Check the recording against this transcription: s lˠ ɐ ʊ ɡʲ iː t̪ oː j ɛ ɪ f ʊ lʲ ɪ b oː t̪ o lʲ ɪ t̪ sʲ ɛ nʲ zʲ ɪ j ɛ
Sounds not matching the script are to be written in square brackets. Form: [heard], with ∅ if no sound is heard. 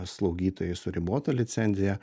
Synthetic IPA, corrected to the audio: s lˠ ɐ ʊ ɡʲ iː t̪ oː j ɛ ɪ [s] ʊ [ɾʲ] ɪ b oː t̪ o lʲ ɪ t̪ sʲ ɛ nʲ zʲ ɪ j ɛ